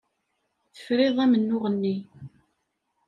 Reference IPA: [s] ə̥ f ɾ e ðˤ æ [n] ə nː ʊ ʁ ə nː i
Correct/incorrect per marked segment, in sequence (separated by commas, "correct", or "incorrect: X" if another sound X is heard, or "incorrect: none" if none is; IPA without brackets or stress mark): incorrect: θ, incorrect: m